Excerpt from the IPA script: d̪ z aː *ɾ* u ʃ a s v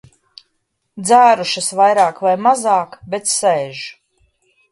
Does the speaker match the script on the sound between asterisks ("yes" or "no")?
yes